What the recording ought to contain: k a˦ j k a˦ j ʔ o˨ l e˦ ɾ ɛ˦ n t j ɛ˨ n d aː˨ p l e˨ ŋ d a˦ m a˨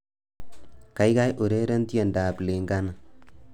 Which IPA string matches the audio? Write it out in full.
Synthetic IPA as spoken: k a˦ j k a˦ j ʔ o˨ ɾ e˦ ɾ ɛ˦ n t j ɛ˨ n d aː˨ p l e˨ ŋ ɡ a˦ n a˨